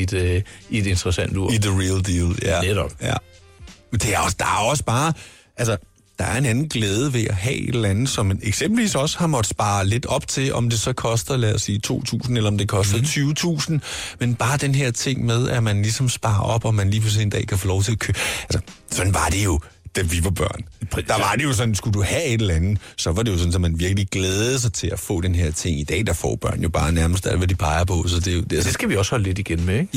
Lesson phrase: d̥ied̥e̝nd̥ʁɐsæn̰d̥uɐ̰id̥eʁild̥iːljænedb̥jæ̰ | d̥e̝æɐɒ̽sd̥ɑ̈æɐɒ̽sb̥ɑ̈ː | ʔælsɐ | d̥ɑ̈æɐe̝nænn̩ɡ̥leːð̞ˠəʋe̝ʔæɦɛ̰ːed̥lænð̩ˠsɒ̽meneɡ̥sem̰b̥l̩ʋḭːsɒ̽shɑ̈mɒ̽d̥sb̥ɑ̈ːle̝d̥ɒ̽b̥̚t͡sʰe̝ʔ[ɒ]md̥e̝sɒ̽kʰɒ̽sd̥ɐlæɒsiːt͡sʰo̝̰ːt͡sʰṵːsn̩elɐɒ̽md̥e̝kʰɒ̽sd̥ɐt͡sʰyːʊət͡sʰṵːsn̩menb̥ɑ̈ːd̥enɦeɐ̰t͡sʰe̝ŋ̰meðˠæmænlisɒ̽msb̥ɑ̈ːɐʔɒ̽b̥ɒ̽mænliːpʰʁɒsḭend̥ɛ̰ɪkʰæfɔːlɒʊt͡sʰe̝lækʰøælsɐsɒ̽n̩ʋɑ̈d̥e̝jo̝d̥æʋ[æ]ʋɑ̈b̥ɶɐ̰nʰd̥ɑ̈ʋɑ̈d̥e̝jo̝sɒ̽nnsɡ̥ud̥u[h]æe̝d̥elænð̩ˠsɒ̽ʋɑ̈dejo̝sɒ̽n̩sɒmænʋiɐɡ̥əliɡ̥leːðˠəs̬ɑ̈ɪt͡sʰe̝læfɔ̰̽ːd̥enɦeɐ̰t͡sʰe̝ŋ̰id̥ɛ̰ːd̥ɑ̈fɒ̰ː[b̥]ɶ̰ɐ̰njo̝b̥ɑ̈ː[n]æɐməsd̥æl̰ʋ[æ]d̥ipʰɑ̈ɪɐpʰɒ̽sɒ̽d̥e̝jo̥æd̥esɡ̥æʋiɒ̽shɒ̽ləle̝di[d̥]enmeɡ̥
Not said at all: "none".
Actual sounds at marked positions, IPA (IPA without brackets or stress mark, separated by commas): ɒ, i, h, b̥, n, æ, ɡ̥